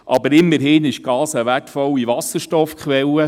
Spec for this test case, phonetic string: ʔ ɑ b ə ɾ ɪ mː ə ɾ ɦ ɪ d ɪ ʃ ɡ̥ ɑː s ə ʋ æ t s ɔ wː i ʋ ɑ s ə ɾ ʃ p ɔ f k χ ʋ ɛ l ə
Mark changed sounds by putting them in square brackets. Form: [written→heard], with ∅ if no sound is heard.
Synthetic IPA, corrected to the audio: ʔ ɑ b ə ɾ ɪ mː ə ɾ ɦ ɪ [d→n] ɪ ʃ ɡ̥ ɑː s ə ʋ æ t [s→f] ɔ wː i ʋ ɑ s ə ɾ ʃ [p→t] ɔ f k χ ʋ ɛ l ə